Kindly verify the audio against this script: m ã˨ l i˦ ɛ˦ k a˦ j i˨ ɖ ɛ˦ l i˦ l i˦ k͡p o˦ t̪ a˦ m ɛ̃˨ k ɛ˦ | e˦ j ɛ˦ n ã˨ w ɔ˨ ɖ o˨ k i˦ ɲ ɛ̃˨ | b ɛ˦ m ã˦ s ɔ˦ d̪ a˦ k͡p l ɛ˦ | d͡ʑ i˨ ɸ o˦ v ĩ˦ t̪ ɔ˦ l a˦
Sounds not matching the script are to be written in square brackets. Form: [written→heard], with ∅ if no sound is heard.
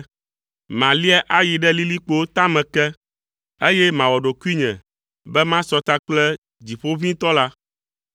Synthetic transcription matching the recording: m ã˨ l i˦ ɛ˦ [k→ʔ] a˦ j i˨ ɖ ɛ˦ l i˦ l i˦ k͡p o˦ t̪ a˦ m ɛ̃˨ k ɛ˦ | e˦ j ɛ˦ [n→m] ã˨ w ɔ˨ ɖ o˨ k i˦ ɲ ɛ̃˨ | b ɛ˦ m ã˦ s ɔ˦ [d̪→t̪] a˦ k͡p l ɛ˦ | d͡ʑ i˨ ɸ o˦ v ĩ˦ t̪ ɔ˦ l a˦